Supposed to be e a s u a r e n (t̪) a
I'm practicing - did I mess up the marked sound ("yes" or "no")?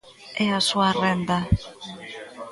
yes